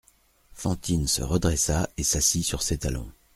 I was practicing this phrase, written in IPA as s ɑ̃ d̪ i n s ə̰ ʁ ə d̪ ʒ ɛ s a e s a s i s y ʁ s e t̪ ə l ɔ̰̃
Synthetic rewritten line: f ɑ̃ t̪ i n s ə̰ ʁ ə d̪ ʁ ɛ s a e s a s i s y ʁ s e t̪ a l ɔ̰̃